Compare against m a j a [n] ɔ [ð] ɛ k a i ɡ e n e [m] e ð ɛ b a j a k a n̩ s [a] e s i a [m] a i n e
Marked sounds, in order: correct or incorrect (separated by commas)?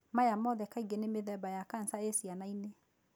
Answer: incorrect, correct, correct, correct, incorrect